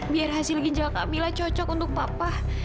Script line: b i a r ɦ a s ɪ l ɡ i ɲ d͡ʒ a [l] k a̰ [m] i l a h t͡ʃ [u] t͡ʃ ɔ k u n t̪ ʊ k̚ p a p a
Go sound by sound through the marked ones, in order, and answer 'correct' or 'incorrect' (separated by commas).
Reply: correct, correct, incorrect